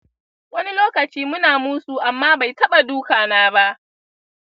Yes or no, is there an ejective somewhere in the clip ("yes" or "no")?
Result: no